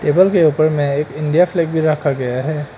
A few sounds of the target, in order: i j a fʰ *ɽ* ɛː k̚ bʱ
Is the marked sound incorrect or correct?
incorrect